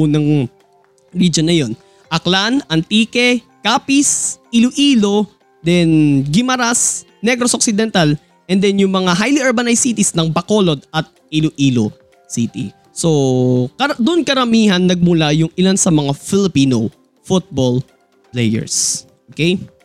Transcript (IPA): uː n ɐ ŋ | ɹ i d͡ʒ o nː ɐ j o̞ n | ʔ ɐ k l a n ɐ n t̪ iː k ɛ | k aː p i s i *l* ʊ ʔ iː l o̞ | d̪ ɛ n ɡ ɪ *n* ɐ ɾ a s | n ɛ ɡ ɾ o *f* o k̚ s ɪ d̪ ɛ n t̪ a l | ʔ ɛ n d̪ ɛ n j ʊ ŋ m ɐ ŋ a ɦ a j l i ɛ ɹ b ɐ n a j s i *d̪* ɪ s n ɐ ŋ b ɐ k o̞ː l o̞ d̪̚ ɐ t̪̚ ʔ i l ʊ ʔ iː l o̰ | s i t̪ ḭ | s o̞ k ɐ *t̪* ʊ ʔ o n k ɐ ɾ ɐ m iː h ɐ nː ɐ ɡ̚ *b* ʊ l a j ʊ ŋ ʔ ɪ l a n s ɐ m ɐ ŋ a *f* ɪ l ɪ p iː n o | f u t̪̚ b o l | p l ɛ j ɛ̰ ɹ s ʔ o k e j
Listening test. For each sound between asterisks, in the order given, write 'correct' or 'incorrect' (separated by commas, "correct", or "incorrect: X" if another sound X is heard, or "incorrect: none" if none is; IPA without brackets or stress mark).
correct, incorrect: m, incorrect: s, incorrect: t̪, incorrect: d̪, incorrect: m, correct